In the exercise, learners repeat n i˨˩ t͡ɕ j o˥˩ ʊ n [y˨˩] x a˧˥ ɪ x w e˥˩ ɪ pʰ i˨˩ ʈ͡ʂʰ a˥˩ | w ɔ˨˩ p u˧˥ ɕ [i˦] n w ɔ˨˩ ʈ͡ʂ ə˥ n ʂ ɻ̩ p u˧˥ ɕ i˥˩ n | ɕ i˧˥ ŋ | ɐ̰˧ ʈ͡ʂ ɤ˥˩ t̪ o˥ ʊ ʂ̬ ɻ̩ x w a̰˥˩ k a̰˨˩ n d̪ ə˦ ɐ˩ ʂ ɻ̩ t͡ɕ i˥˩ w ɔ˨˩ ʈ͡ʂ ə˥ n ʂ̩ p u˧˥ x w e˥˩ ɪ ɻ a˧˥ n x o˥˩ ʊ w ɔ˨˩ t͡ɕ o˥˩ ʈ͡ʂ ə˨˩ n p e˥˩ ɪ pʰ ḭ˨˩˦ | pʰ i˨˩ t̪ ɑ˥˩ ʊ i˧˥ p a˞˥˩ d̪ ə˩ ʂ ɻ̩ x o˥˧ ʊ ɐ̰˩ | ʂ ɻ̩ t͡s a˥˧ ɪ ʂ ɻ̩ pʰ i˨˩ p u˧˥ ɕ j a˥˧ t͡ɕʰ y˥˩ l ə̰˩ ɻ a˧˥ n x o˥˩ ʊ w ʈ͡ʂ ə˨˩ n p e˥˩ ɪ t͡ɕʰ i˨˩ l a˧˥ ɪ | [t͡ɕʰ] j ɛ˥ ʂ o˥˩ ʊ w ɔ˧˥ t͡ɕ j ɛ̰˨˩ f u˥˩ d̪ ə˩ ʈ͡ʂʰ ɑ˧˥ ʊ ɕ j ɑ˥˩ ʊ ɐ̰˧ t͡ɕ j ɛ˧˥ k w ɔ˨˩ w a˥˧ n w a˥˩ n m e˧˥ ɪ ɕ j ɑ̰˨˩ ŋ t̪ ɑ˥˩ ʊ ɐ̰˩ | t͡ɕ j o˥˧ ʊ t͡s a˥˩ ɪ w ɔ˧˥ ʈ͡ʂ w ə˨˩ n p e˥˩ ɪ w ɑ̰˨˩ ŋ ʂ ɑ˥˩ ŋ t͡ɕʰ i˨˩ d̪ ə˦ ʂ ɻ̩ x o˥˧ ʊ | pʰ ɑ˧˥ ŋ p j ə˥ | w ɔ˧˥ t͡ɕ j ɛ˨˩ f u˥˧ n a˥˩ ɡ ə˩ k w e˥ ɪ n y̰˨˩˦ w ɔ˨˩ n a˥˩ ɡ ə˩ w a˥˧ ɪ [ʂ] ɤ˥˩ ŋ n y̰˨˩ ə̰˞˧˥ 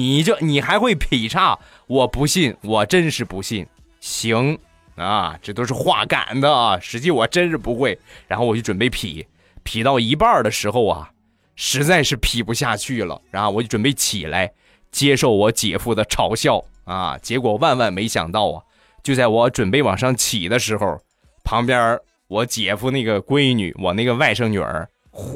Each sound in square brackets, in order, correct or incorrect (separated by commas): incorrect, incorrect, incorrect, correct